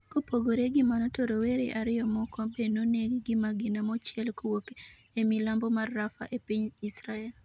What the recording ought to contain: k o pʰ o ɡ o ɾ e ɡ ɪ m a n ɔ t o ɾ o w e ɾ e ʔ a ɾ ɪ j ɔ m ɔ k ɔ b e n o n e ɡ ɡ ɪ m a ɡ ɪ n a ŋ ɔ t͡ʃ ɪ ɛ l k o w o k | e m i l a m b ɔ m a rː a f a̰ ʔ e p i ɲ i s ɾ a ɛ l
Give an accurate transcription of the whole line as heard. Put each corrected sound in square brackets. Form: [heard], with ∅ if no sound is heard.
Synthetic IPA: k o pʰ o ɡ o ɾ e ɡ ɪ m a n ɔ t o ɾ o w e ɾ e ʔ a ɾ ɪ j ɔ m ɔ k ɔ b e n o n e ɡ ɡ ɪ m a ɡ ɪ n a [m] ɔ t͡ʃ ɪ ɛ l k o w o k | e m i l a m b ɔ m a rː a f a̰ ʔ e p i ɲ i s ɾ a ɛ l